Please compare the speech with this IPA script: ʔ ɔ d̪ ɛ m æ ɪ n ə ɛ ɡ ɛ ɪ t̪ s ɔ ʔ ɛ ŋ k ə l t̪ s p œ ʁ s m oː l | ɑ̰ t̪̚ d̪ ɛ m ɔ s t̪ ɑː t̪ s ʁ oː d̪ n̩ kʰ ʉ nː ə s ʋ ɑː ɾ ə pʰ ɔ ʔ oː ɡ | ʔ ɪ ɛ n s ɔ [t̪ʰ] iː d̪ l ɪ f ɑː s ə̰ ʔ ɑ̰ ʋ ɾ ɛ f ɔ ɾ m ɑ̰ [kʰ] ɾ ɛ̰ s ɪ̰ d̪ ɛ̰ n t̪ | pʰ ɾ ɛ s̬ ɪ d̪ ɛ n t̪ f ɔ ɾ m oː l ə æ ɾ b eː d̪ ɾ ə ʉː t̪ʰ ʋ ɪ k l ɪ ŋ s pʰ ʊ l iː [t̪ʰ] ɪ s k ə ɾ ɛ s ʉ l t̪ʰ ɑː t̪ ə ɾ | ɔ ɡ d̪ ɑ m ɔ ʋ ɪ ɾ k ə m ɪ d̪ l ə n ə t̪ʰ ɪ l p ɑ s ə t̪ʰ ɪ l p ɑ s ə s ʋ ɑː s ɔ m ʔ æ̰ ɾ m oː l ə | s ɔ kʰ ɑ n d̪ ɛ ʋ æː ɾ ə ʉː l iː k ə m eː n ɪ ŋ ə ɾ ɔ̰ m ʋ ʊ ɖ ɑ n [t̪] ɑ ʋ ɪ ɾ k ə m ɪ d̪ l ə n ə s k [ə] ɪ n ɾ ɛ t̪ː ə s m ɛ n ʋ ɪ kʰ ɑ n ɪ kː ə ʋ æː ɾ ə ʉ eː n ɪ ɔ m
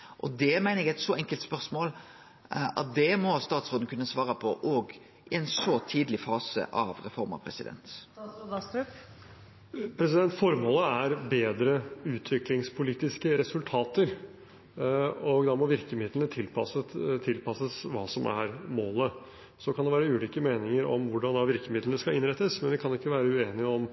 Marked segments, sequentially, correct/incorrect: correct, incorrect: pʰ, incorrect: t̪, incorrect: d̪, incorrect: ɑ

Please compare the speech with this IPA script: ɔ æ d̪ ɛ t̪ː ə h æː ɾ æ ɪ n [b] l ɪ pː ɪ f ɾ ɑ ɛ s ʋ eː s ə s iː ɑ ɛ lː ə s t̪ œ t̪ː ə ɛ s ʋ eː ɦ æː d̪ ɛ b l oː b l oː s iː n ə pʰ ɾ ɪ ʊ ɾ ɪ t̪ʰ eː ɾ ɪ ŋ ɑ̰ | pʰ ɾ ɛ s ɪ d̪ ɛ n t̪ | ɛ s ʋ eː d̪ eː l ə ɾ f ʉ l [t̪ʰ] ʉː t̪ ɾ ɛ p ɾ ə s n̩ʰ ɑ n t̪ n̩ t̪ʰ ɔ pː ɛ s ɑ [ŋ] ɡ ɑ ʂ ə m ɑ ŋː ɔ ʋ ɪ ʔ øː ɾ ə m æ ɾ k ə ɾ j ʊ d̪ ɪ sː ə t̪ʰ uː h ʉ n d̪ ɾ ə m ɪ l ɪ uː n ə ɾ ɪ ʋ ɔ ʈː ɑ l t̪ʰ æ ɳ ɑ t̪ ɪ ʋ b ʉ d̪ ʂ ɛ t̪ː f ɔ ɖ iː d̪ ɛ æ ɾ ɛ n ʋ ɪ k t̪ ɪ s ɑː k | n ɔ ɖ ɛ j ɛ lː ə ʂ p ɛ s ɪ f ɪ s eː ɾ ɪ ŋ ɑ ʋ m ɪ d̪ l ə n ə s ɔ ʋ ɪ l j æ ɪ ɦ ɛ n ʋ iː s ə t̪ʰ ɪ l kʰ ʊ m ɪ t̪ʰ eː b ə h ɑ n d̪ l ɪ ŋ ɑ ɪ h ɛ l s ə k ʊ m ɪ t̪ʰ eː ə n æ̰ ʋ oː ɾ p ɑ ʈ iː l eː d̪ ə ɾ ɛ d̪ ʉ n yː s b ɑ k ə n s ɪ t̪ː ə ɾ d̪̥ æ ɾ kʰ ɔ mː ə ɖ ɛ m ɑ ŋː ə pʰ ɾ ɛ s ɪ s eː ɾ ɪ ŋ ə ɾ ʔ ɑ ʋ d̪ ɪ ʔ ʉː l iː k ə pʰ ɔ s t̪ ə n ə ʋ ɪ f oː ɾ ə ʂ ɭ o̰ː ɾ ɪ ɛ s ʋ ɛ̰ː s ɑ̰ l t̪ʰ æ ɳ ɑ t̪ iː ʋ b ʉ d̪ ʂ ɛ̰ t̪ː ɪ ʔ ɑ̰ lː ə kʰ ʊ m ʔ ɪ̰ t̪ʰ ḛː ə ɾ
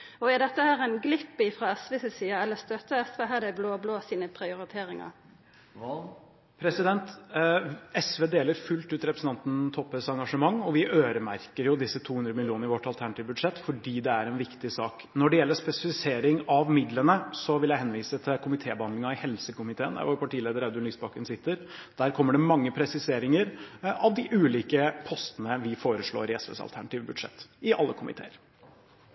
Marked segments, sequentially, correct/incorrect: incorrect: ɡ, incorrect: t̪, correct

